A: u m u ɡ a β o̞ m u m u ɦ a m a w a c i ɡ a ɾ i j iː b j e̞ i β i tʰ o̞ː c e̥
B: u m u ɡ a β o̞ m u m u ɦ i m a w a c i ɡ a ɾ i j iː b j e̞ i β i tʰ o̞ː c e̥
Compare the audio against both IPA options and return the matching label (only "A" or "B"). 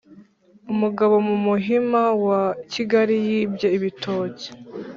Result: B